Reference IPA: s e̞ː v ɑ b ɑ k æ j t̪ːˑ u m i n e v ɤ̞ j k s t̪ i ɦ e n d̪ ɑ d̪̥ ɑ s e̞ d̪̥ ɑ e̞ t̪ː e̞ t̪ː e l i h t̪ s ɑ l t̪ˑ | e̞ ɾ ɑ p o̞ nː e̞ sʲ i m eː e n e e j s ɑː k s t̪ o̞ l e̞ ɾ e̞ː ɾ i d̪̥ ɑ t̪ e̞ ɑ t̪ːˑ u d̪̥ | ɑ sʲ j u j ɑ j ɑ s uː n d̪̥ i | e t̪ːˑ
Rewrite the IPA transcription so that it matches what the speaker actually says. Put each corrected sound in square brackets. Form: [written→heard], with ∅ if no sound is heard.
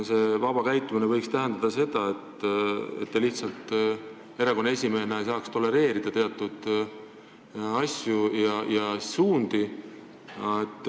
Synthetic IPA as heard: s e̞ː v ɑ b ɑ k æ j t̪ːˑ u m i n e v ɤ̞ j k s t̪ [i→æ] ɦ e n d̪ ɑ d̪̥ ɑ s e̞ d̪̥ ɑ e̞ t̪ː e̞ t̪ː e l i h t̪ s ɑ l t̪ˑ | e̞ ɾ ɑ [p→k] o̞ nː e̞ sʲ i m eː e n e e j s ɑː k s t̪ o̞ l e̞ ɾ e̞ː ɾ i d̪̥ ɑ t̪ e̞ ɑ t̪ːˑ u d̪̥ | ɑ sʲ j u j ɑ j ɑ s uː n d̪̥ i | e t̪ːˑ